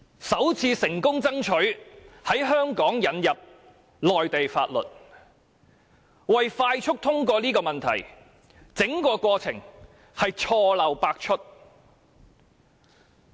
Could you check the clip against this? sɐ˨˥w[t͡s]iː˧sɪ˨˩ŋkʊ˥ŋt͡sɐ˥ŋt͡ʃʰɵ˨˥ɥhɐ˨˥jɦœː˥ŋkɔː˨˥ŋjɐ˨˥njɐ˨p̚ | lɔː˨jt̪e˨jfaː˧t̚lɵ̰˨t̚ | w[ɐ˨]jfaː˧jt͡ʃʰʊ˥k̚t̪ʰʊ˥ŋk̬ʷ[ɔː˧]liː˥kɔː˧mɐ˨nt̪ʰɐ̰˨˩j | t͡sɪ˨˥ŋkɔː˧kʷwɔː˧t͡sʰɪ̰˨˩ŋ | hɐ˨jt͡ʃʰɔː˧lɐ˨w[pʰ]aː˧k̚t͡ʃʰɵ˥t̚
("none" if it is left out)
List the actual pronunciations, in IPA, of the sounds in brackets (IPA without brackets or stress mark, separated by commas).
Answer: t͡sʰ, ɐ˨, ɔː˧, p